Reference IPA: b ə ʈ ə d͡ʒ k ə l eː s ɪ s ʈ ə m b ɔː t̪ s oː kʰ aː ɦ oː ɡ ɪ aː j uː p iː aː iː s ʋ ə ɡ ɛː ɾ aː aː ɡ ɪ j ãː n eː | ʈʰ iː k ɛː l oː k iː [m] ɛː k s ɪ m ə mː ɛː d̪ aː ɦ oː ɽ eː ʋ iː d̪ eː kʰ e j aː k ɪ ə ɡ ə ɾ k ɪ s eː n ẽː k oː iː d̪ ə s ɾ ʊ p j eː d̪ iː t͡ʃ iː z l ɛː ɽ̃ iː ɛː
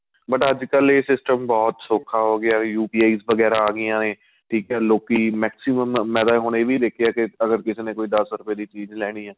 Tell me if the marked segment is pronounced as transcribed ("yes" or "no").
yes